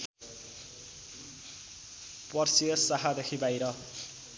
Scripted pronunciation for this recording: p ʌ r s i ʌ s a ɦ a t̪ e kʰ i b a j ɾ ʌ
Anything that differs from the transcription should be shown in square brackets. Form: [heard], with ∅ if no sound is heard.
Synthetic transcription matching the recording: p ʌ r s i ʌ s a ɦ a [d̪] e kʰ i b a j ɾ ʌ